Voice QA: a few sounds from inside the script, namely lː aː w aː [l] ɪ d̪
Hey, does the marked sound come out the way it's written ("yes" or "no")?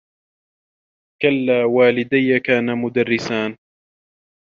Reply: yes